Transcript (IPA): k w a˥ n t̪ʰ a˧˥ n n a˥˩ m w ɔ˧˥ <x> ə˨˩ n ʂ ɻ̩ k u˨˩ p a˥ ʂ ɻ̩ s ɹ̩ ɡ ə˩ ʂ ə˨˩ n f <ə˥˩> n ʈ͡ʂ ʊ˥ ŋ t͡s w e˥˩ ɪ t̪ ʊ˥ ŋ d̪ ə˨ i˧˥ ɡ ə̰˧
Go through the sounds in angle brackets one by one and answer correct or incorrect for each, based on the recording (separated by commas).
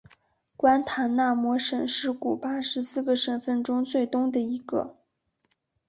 incorrect, correct